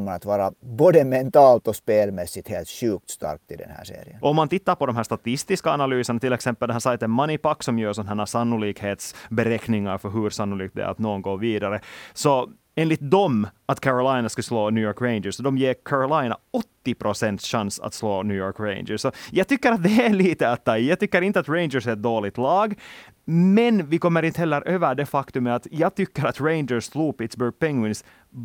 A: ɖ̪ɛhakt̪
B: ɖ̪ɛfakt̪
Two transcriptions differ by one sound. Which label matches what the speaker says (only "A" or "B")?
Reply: B